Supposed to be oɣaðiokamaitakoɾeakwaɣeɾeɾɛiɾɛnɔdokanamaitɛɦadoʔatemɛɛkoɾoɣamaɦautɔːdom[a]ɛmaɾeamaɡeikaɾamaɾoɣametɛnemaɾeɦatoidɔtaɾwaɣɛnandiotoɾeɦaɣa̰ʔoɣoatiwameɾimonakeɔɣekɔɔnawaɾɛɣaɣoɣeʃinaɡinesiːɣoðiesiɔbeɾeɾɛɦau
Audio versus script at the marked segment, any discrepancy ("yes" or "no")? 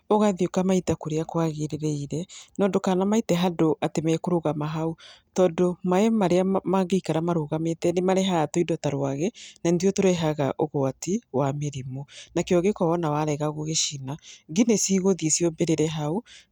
no